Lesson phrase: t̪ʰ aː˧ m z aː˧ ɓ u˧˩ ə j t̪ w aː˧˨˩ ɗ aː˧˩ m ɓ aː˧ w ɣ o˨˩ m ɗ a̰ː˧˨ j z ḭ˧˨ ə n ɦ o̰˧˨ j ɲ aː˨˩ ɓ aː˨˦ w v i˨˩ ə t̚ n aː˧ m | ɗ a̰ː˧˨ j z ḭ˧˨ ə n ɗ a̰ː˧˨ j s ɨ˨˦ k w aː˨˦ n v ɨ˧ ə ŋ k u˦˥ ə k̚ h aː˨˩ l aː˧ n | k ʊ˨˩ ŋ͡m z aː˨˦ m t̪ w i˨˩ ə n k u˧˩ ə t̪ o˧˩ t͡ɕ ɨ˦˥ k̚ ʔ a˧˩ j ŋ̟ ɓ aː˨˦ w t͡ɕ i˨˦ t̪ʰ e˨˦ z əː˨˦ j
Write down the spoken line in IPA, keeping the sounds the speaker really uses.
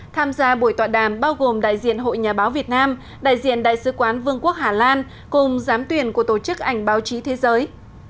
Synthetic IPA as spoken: t̪ʰ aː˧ m z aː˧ ɓ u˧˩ ə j t̪ w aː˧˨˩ ɗ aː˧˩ m ɓ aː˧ w ɣ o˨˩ m ɗ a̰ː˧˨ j z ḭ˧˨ ə n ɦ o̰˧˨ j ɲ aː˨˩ ɓ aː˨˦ w v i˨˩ ə t̚ n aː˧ m | ɗ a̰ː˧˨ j z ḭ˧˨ ə n ɗ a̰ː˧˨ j s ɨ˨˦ k w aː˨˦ n v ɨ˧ ə ŋ k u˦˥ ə k̚ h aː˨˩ l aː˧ n | k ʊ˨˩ ŋ͡m z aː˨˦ m t̪ w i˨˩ ə n k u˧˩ ə t̪ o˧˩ t͡ɕ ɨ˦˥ k̚ ʔ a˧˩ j ŋ̟ ɓ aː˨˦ w t͡ɕ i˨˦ t̪ʰ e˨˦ z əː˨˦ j